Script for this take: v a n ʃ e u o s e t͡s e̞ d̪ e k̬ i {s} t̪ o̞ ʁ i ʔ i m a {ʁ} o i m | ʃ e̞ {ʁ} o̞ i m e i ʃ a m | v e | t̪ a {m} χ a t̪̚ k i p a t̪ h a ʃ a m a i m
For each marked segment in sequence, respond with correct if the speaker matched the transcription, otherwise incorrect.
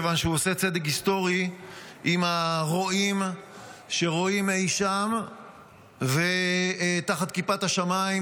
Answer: correct, correct, correct, incorrect: none

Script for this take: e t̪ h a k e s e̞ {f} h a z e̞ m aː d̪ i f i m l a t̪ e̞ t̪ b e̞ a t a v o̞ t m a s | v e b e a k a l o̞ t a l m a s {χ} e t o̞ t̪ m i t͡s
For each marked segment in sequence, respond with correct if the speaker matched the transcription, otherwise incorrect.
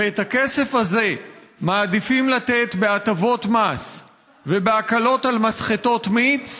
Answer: correct, correct

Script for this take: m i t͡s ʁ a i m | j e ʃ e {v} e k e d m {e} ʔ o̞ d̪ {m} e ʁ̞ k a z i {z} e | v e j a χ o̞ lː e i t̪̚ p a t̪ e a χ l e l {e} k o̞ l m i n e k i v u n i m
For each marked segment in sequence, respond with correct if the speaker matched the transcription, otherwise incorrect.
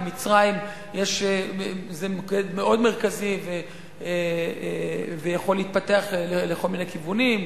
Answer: incorrect: z, correct, correct, incorrect: v, correct

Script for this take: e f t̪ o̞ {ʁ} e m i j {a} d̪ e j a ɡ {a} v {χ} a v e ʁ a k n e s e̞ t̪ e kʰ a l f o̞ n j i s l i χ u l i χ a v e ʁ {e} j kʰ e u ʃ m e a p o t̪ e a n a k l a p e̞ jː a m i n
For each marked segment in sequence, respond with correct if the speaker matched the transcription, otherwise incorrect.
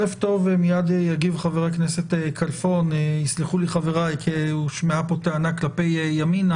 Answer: incorrect: v, correct, incorrect: i, correct, incorrect: a

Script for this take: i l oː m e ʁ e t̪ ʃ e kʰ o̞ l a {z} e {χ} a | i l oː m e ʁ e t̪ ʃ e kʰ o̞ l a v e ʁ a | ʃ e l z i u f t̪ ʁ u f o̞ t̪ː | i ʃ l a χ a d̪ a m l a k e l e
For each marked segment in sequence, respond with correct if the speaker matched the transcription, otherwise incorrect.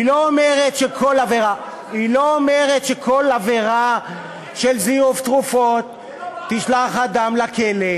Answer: incorrect: v, incorrect: ʁ

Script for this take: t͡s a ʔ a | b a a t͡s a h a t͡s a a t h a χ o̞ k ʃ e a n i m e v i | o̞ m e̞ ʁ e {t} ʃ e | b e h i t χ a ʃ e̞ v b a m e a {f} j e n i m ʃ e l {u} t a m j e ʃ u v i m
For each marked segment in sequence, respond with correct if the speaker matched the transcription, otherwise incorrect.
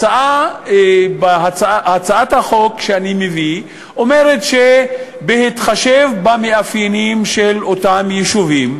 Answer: correct, correct, incorrect: o

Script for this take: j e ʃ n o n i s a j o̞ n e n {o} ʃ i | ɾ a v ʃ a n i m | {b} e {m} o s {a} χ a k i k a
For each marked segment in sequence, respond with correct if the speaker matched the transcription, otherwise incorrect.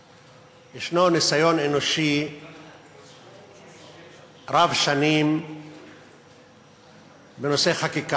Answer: correct, correct, incorrect: n, incorrect: e

